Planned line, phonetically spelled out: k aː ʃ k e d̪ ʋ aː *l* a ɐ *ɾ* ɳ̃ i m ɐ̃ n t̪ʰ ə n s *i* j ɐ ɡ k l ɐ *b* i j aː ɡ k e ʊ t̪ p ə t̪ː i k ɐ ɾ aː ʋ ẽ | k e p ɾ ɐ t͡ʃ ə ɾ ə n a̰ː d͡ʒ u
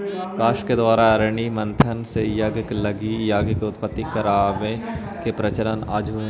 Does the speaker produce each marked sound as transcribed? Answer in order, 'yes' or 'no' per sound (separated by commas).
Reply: no, yes, no, no